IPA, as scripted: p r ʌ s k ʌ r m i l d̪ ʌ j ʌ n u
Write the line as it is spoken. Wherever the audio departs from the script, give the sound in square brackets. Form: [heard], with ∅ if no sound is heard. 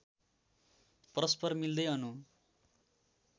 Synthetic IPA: p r ʌ s [p] ʌ r m i l d̪ ʌ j ʌ n u